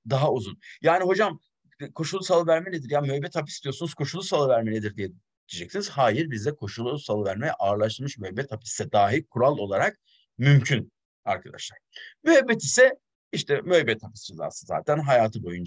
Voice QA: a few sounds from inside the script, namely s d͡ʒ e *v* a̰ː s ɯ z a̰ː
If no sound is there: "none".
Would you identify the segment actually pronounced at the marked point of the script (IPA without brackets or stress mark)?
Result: z